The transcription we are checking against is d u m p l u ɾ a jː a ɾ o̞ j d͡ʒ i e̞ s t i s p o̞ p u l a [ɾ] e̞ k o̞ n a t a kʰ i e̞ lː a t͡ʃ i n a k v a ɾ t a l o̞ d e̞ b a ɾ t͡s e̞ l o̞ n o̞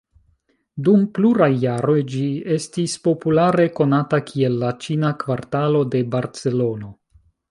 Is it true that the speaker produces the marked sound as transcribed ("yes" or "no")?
yes